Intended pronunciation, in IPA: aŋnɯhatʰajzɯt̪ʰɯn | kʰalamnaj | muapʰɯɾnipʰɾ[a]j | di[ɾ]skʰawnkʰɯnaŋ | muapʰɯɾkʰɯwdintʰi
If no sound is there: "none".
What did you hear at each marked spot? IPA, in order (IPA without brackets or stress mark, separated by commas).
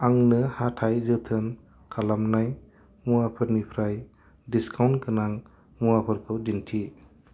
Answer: a, none